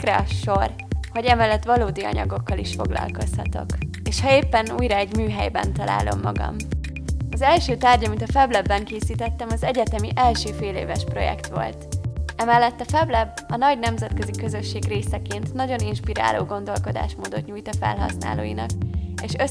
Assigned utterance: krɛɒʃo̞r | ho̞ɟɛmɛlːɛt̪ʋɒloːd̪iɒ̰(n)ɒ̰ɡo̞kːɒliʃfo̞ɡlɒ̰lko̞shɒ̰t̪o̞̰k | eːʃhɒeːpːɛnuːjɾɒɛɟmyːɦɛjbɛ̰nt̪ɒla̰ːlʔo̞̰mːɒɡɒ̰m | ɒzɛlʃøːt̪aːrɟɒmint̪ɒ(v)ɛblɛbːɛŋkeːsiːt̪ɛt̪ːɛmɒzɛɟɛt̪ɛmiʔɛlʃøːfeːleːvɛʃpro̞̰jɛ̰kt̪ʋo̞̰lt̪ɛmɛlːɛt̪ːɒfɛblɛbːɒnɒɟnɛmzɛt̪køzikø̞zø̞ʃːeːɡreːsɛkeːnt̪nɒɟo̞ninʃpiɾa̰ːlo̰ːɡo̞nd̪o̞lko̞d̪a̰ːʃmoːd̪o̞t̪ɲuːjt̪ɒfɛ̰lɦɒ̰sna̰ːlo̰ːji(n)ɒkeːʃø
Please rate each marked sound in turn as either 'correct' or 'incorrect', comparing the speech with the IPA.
incorrect: ɲ, incorrect: f, correct

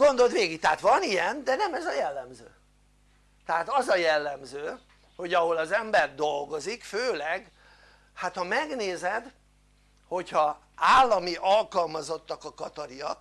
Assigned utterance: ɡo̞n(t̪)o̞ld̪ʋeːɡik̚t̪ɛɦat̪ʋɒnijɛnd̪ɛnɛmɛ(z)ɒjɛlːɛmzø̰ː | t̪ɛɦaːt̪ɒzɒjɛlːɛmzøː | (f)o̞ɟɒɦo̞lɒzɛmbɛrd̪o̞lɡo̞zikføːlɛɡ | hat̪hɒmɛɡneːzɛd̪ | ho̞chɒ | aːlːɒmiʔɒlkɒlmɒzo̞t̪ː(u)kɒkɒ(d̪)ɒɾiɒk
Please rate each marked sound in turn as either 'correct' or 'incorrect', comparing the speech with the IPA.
incorrect: d̪, correct, incorrect: h, incorrect: ɒ, incorrect: t̪

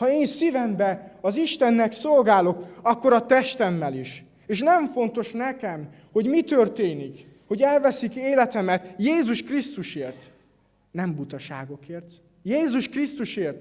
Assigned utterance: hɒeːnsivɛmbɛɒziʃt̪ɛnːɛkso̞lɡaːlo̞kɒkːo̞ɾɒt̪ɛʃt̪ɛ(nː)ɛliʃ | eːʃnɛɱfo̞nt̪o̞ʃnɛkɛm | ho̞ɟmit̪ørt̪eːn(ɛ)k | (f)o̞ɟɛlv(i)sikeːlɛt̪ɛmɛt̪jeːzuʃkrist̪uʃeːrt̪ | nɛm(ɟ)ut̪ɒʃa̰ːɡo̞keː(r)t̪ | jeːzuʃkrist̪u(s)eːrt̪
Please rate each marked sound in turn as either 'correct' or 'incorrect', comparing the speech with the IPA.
incorrect: mː, incorrect: i, incorrect: h, incorrect: ɛ, incorrect: b, correct, incorrect: ʃ

